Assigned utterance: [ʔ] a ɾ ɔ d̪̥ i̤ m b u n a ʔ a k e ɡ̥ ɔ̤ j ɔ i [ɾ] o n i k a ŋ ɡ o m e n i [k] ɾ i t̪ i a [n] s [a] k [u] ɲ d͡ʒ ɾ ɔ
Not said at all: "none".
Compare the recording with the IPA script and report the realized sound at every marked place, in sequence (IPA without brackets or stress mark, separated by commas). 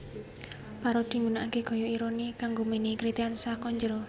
p, ɾ, k, n, a, ɔ